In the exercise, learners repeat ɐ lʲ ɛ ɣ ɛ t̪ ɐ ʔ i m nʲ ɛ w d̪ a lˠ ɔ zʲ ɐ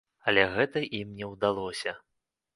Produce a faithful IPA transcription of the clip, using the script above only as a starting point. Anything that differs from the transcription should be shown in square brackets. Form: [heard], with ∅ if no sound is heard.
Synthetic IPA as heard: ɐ lʲ ɛ ɣ ɛ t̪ ɐ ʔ i m nʲ ɛ w d̪ a lˠ ɔ [sʲ] ɐ

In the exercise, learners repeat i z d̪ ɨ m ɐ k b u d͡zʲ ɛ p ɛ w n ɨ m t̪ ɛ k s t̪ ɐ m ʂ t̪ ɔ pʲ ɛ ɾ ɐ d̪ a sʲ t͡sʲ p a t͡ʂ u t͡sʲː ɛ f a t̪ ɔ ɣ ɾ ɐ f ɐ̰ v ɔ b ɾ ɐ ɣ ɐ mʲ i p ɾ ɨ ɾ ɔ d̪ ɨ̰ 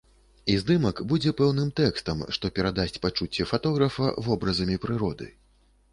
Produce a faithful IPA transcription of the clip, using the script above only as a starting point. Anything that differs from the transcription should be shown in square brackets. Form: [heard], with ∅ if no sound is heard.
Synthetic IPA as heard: i z d̪ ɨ m ɐ k b u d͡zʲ ɛ p ɛ w n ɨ m t̪ ɛ k s t̪ ɐ m ʂ t̪ ɔ pʲ ɛ ɾ [a] d̪ a sʲ t͡sʲ p a t͡ʂ u t͡sʲː ɛ f a t̪ ɔ ɣ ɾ ɐ f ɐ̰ v ɔ b ɾ ɐ [z] ɐ mʲ i p ɾ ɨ ɾ ɔ d̪ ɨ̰

